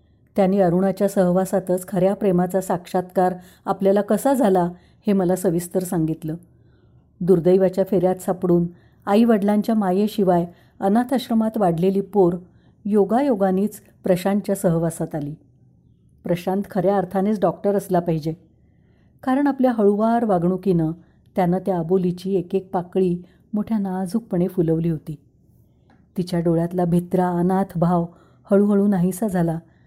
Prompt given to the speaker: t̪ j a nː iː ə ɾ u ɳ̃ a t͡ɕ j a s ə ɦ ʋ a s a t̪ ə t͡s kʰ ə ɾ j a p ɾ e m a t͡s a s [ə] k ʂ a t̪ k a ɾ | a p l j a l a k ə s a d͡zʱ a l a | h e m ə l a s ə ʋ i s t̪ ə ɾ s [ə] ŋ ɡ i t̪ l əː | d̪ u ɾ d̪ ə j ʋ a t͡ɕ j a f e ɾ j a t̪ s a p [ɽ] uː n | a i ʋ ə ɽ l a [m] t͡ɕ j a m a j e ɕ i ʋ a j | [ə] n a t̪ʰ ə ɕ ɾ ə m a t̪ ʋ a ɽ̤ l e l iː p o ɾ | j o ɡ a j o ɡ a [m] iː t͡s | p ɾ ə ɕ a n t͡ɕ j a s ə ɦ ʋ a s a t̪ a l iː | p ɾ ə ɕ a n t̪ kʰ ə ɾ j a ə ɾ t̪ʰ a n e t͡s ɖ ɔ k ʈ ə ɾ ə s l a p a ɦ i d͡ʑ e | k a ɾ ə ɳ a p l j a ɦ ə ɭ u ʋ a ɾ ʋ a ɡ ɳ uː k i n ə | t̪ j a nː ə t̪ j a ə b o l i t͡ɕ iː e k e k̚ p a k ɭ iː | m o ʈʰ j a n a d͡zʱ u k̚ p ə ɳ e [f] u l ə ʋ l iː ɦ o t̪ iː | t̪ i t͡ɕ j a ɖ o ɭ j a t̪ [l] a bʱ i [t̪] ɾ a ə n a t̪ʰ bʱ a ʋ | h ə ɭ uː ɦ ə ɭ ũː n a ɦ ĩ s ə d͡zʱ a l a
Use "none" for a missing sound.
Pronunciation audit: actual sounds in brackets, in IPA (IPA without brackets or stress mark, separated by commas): a, a, ɽ, ɲ, ə, n, f, l, t̪